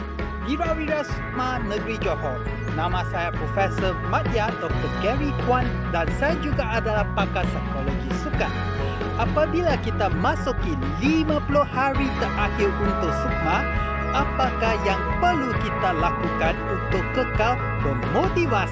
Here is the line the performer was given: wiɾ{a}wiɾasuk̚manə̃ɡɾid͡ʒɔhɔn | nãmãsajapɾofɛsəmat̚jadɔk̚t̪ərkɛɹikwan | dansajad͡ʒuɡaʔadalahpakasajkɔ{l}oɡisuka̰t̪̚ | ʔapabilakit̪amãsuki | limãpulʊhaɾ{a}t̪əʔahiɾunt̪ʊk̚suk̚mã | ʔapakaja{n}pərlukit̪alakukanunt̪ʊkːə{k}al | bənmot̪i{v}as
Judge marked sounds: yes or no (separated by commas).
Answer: yes, yes, no, no, yes, yes